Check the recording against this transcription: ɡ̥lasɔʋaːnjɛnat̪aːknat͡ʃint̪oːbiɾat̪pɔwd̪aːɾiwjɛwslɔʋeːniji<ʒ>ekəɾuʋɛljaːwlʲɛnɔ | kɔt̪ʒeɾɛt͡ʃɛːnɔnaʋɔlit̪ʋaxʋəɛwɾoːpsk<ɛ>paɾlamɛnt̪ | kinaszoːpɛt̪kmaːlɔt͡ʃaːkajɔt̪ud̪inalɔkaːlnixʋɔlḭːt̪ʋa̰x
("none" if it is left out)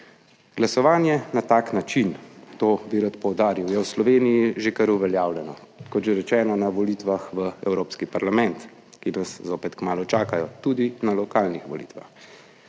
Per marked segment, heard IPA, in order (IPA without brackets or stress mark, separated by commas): ʒ, i